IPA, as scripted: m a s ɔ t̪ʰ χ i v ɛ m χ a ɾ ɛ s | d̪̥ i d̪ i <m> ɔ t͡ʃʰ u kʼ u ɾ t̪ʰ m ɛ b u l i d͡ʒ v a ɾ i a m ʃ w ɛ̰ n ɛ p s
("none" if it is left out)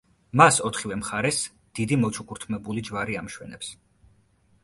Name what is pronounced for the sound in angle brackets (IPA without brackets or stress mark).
m